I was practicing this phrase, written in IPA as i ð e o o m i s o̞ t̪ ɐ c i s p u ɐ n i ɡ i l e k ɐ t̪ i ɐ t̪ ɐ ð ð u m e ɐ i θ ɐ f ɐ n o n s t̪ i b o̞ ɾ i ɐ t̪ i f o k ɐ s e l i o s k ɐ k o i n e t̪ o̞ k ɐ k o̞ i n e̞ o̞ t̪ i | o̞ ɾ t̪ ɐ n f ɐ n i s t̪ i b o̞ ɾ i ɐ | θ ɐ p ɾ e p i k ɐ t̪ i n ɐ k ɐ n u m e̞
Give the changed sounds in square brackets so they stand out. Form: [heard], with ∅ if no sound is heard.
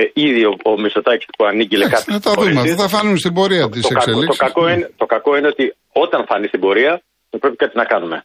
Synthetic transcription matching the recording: i ð [i] o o m i s o̞ t̪ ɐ c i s p u ɐ n i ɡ i l e k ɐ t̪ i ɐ t̪ ɐ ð ð u m e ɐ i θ ɐ f ɐ n [u] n s t̪ i b o̞ ɾ i ɐ t̪ i [s] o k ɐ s e l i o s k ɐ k o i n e t̪ o̞ k ɐ k o̞ i n e̞ o̞ t̪ i | o̞ [∅] t̪ ɐ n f ɐ n i s t̪ i b o̞ ɾ i ɐ | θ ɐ p ɾ e p i k ɐ t̪ i n ɐ k ɐ n u m e̞